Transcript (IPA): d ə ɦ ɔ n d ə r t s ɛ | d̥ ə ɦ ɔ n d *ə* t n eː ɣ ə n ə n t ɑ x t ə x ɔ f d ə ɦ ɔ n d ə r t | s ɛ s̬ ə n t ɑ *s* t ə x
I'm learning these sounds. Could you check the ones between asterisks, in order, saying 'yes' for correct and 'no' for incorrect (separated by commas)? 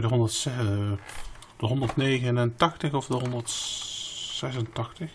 yes, no